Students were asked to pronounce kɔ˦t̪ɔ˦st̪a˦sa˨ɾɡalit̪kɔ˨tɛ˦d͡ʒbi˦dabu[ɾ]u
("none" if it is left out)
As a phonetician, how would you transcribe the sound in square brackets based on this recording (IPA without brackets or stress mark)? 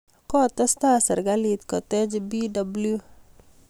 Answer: l